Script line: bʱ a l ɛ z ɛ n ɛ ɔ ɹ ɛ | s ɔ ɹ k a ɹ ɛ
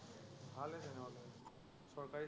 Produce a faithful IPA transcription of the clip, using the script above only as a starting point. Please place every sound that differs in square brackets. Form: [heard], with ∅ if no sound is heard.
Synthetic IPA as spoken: bʱ a l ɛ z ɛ n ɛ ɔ [l] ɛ | s ɔ ɹ k a ɹ [i]